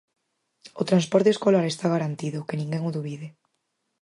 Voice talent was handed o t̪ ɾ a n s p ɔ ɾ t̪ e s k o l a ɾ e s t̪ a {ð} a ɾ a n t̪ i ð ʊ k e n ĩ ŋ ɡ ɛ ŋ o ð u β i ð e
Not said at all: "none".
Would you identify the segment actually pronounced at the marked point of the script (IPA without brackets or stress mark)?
ɣ